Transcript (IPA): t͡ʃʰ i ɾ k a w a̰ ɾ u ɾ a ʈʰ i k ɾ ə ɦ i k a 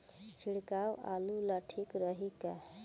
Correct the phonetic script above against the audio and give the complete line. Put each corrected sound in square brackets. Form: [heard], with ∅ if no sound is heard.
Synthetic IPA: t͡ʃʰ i [ɽ] k a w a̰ [l] u [l] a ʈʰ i k ɾ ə ɦ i k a